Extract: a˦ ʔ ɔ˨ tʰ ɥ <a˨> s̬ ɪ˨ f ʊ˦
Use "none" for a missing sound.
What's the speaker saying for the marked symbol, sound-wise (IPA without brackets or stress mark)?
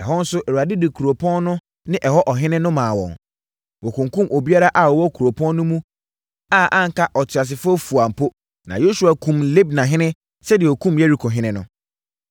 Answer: a˨